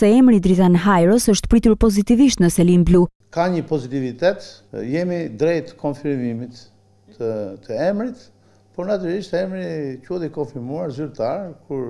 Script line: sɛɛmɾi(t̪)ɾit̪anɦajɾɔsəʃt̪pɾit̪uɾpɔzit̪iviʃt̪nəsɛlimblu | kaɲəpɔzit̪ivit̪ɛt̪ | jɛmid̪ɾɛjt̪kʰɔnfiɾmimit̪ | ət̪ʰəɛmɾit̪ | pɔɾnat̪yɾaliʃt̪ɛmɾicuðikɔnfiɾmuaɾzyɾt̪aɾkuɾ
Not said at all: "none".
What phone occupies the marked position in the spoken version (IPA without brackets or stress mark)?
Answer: d̪